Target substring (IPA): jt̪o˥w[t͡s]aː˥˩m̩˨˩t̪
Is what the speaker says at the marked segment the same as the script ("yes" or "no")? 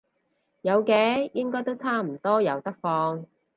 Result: no